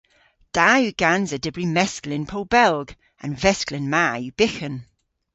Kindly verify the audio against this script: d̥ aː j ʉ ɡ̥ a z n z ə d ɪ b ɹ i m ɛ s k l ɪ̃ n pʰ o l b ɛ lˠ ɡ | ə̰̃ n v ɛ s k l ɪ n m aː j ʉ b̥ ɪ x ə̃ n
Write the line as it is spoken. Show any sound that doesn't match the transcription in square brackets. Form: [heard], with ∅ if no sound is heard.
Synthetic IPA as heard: d̥ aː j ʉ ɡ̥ a [∅] n z ə d ɪ b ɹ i m ɛ s k l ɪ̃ n pʰ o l b ɛ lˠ ɡ | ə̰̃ n v ɛ s k l ɪ n m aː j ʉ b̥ ɪ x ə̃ n